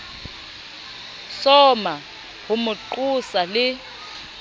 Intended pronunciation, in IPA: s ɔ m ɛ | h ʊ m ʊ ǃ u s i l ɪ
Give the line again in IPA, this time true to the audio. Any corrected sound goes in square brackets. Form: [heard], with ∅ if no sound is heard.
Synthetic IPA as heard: s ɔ m [a] | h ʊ m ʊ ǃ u s [a] l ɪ